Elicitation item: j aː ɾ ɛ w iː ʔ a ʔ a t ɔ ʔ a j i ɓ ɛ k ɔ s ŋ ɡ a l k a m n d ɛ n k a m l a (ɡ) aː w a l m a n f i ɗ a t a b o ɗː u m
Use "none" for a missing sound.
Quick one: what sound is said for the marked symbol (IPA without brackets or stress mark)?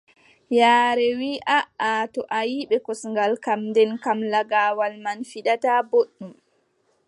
ɡ